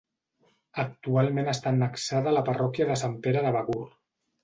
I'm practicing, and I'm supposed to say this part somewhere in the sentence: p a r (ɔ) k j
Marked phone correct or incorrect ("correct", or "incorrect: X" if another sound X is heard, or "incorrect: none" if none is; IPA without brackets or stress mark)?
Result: correct